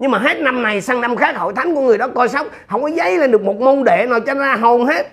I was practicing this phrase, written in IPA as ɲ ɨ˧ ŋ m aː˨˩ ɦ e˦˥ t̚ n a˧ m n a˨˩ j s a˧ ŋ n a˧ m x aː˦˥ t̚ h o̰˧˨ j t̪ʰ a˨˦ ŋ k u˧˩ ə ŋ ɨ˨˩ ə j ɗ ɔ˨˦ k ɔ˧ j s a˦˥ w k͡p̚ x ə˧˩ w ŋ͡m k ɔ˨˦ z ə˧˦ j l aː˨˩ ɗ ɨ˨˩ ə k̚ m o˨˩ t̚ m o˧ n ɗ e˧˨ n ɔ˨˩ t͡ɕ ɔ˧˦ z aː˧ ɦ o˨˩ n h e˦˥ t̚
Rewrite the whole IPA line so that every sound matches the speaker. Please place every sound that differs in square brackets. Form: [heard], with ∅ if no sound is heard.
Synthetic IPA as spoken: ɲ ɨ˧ ŋ m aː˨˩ ɦ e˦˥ t̚ n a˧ m n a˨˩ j s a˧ ŋ n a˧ m x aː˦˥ [k̚] h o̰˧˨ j t̪ʰ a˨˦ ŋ k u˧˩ ə ŋ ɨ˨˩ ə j ɗ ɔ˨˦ k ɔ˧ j s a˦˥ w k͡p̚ [h] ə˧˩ w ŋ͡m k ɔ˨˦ z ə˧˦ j l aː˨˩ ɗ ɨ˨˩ ə k̚ m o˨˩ t̚ m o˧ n ɗ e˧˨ n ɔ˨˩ t͡ɕ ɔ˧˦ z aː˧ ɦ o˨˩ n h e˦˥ t̚